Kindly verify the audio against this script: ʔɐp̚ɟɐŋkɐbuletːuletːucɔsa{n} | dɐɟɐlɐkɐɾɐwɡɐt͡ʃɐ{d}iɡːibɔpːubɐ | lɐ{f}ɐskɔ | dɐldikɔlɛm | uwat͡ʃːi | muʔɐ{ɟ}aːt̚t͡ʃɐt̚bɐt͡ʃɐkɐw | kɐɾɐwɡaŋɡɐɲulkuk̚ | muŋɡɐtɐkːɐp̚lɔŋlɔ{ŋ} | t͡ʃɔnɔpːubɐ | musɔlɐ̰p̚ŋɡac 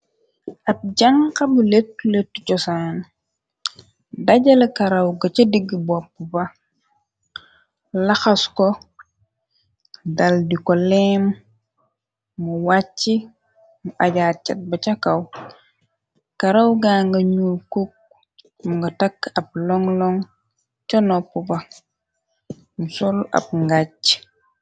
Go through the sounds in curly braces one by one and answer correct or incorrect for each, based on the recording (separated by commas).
correct, correct, incorrect, correct, correct